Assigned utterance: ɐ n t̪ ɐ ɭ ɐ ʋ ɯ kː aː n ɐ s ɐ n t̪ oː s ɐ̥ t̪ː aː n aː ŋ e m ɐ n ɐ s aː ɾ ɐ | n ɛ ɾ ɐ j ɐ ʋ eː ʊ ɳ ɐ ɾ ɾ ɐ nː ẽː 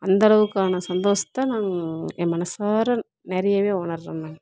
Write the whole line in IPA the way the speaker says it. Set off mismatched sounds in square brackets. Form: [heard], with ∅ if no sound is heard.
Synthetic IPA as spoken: ɐ n [d̪] ɐ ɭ ɐ ʋ ɯ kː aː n ɐ s ɐ n [d̪] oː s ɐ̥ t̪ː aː n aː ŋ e m ɐ n ɐ s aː ɾ ɐ | n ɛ ɾ ɐ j ɐ ʋ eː ʊ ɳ ɐ ɾ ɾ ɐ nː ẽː